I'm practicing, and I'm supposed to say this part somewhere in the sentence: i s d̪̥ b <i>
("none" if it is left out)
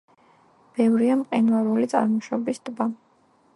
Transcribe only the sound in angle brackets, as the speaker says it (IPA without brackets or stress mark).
a